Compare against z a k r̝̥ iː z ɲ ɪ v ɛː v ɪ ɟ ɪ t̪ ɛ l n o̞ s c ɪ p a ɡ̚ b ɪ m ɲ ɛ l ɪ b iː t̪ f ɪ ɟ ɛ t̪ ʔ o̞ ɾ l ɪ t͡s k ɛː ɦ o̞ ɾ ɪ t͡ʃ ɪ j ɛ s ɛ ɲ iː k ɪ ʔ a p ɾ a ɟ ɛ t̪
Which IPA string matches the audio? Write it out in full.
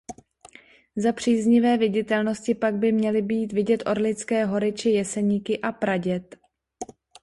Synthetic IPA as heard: z a p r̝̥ iː z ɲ ɪ v ɛː v ɪ ɟ ɪ t̪ ɛ l n o̞ s c ɪ p a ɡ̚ b ɪ m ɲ ɛ l ɪ b iː t̪ v ɪ ɟ ɛ t̪ ʔ o̞ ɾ l ɪ t͡s k ɛː ɦ o̞ ɾ ɪ t͡ʃ ɪ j ɛ s ɛ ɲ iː k ɪ ʔ a p ɾ a ɟ ɛ t̪